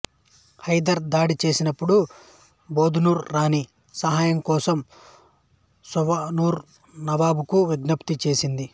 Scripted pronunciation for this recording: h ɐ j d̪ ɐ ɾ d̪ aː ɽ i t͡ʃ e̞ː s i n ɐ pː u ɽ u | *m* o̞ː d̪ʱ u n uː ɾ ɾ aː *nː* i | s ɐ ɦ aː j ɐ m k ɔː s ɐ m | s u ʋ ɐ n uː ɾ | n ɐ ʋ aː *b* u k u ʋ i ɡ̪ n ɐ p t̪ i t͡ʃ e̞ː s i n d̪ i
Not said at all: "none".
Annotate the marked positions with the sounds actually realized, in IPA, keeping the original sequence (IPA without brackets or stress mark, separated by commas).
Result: b, n, b